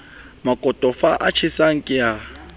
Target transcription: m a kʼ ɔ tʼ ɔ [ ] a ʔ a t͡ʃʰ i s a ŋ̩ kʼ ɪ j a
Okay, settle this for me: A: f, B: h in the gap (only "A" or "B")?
A